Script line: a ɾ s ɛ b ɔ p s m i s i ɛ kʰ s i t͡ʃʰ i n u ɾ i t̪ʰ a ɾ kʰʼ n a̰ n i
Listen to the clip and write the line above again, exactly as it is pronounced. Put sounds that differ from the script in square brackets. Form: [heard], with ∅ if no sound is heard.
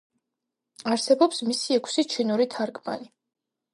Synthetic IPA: a ɾ s ɛ b ɔ p s m i s i ɛ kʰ s i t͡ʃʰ i n u ɾ i t̪ʰ a ɾ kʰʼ [m] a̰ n i